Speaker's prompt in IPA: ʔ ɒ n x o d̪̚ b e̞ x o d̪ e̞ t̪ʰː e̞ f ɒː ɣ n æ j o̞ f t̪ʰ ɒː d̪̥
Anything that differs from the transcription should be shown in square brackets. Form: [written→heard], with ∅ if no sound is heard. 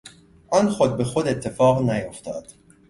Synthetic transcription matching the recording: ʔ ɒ n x o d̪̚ b e̞ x o d̪ e̞ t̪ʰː e̞ f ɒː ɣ n æ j o̞ f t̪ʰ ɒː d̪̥

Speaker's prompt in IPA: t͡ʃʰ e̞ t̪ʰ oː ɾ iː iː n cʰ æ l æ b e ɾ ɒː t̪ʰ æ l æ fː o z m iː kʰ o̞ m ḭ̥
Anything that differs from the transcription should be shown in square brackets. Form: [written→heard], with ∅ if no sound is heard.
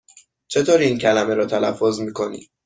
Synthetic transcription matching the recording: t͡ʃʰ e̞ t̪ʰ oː ɾ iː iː n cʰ æ l æ [b→m] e ɾ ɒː t̪ʰ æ l æ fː o z m iː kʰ o̞ [m→n] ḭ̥

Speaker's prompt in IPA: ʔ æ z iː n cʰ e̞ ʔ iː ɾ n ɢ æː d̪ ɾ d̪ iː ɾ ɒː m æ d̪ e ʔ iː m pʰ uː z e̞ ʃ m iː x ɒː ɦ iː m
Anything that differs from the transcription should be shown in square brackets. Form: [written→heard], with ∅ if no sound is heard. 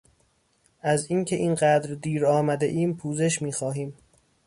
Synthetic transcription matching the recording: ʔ æ z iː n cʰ e̞ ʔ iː [ɾ→∅] n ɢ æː d̪ ɾ d̪ iː ɾ ɒː m æ d̪ e ʔ iː m pʰ uː z e̞ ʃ m iː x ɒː ɦ iː m

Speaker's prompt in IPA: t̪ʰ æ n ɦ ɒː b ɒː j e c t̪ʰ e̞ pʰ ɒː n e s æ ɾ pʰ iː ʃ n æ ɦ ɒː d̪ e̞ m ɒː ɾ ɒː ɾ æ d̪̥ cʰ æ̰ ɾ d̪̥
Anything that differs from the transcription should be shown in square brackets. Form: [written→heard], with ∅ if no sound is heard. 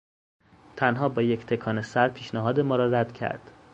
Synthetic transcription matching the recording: t̪ʰ æ n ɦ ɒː b ɒː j e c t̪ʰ e̞ [pʰ→kʰ] ɒː n e s æ ɾ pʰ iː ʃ n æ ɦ ɒː d̪ e̞ m ɒː ɾ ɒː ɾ æ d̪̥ cʰ æ̰ ɾ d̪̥

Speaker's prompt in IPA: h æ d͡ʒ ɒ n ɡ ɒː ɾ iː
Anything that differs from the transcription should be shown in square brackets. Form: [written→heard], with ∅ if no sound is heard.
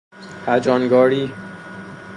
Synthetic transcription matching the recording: h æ d͡ʒ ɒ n ɡ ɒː ɾ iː

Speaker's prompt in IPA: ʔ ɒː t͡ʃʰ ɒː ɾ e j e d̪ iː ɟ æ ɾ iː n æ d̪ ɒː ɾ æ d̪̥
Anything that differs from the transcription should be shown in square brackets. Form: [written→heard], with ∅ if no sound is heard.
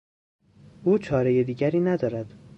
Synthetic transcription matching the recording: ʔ [ɒː→uː] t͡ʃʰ ɒː ɾ e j e d̪ iː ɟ æ ɾ iː n æ d̪ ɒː ɾ æ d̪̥

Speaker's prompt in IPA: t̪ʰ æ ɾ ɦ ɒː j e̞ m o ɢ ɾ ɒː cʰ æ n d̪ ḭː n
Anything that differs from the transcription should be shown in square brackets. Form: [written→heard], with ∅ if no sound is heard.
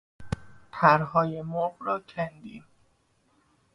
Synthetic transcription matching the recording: t̪ʰ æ ɾ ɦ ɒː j e̞ m o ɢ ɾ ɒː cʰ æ n d̪ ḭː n

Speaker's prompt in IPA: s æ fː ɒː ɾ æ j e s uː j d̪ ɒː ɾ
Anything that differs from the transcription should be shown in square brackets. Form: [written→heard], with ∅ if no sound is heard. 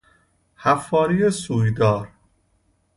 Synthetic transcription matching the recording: [s→h] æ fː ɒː ɾ [æ→i] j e s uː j d̪ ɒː ɾ

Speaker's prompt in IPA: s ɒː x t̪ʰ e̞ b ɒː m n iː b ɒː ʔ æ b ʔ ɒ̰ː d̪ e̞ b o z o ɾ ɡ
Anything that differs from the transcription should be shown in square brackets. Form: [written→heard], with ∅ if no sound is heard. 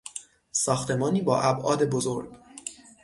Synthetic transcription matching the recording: s ɒː x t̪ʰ e̞ [b→m] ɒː [m→∅] n iː b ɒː ʔ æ b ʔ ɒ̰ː d̪ e̞ b o z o ɾ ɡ

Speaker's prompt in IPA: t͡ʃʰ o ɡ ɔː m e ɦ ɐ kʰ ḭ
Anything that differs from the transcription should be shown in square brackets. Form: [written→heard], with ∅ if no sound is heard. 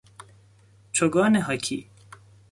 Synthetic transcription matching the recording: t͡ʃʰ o ɡ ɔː [m→n] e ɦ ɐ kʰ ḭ

